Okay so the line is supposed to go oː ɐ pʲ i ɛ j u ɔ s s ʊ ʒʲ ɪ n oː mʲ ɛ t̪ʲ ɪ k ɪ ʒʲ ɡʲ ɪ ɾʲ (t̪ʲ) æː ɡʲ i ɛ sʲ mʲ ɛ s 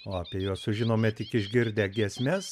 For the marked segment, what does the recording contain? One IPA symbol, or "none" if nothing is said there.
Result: d̪ʲ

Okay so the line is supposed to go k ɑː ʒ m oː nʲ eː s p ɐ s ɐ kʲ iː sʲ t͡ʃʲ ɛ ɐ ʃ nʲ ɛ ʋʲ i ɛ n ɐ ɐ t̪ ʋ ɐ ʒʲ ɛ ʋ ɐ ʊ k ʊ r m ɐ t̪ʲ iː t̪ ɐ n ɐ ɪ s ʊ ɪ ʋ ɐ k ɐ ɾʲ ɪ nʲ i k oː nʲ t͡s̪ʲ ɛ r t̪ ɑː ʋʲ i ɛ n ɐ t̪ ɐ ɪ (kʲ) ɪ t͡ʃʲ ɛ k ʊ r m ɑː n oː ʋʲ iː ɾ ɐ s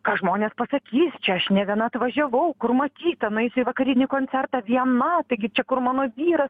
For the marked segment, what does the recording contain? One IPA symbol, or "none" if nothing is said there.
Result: ɡʲ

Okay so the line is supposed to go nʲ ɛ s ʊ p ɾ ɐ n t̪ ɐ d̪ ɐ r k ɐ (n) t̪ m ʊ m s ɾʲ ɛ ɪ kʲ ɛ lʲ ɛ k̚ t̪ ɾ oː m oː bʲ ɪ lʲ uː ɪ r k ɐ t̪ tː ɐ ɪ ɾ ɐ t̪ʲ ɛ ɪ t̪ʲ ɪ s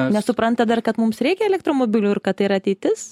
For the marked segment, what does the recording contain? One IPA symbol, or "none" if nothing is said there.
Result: none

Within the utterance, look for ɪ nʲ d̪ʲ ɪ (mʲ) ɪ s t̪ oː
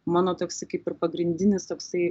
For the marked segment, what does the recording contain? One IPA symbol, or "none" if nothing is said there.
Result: nʲ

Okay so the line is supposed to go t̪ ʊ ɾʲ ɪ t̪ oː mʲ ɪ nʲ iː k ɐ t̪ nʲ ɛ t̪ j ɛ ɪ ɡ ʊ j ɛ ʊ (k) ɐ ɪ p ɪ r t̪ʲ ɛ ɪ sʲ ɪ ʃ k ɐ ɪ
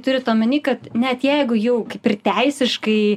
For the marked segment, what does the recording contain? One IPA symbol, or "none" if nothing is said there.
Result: k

